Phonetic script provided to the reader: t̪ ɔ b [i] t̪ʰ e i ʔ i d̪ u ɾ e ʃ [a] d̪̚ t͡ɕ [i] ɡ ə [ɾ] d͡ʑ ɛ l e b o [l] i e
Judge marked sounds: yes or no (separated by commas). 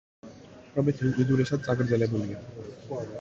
no, yes, no, yes, yes